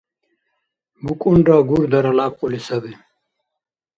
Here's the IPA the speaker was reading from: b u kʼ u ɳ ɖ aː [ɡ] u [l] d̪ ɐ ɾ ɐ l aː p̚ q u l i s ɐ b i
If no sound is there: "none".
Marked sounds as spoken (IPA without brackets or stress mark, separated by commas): ɡ, ɾ